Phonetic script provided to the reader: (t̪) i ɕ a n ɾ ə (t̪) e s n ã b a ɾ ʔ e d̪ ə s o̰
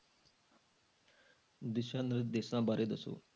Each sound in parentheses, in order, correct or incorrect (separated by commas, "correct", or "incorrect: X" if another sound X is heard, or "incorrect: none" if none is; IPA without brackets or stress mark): incorrect: d̪, incorrect: d̪